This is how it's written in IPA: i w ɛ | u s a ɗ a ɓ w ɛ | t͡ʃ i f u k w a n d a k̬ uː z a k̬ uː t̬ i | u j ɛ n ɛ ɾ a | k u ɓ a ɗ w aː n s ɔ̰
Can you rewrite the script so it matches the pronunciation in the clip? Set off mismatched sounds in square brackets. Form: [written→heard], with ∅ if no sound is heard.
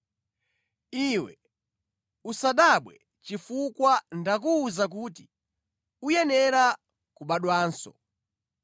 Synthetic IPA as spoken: i w ɛ | u s a ɗ a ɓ w ɛ | t͡ʃ i f u k w a n d a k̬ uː z a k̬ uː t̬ i | u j ɛ n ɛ ɾ a | k u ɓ a ɗ w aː n s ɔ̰